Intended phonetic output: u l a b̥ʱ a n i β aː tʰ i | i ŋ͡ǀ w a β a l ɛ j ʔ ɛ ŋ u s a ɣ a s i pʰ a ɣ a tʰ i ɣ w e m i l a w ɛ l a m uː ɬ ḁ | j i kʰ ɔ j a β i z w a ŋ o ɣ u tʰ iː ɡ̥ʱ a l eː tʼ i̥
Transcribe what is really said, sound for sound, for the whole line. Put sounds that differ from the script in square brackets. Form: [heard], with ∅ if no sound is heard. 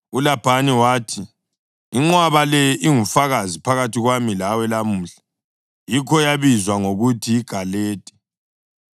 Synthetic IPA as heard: u l a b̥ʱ a n i [w] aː tʰ i | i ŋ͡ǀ w a β a l ɛ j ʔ [i] ŋ u [f] a ɣ a [z] i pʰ a ɣ a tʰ i ɣ w [a] m i l a w ɛ l a m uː ɬ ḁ | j i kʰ ɔ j a β i z w a ŋ o ɣ u tʰ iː ɡ̥ʱ a l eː tʼ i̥